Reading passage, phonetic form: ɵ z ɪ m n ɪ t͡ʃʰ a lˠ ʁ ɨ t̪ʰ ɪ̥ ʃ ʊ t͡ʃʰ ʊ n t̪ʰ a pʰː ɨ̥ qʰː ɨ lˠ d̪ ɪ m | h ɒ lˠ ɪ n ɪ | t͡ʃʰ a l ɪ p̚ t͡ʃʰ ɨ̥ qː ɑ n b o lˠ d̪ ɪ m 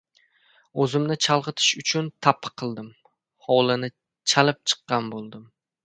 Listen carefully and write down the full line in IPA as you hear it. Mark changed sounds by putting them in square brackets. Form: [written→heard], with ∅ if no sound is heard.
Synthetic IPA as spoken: ɵ z ɪ m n ɪ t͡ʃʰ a lˠ ʁ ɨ t̪ʰ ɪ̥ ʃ ʊ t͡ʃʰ ʊ n t̪ʰ a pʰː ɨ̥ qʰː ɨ lˠ d̪ ɪ m | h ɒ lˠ ɪ n ɪ | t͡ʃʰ a l ɪ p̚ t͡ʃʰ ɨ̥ qː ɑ n b o lˠ d̪ ɪ m